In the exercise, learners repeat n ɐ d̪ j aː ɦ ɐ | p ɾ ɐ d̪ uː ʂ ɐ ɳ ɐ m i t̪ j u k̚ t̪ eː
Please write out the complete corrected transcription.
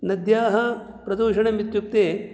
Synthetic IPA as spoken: n ɐ d̪ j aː ɦ ɐ | p ɾ ɐ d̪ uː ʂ ɐ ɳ ɐ m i t̪ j u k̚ t̪ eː